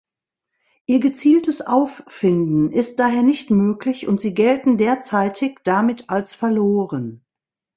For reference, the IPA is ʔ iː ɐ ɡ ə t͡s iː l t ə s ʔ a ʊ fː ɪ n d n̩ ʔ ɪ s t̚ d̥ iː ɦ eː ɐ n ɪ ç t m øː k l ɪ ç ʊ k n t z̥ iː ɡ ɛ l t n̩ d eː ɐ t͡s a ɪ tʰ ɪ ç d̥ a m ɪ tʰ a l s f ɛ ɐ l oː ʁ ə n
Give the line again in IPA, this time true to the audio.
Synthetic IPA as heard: ʔ iː ɐ ɡ ə t͡s iː l t ə s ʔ a ʊ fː ɪ n d n̩ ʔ ɪ s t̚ d̥ aː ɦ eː ɐ n ɪ ç t m øː k l ɪ ç ʊ n t z̥ iː ɡ ɛ l t n̩ d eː ɐ t͡s a ɪ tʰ ɪ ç d̥ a m ɪ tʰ a l s f ɛ ɐ l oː ʁ ə n